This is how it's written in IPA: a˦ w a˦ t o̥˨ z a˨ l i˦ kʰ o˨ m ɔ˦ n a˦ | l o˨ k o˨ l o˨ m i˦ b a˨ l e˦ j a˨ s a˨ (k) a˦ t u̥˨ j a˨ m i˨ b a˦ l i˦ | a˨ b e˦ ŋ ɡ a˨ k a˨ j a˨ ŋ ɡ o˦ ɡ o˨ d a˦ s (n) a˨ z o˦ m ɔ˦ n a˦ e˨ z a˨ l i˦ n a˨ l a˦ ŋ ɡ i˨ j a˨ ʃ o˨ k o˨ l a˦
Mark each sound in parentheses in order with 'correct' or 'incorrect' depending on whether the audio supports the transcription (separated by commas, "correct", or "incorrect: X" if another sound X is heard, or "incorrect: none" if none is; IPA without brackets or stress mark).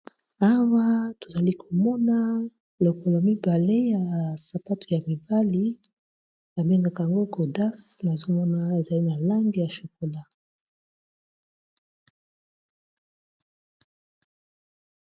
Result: incorrect: p, correct